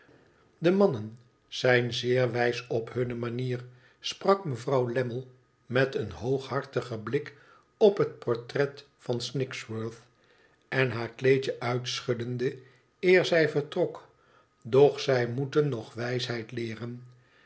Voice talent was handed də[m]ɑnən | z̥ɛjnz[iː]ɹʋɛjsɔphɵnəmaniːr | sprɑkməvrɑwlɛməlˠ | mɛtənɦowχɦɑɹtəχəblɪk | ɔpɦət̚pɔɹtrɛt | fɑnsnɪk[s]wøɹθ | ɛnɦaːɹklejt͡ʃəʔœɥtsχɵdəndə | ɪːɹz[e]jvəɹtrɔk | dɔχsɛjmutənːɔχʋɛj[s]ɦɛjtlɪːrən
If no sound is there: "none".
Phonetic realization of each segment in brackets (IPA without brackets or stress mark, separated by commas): m, ɪː, s, ɛ, s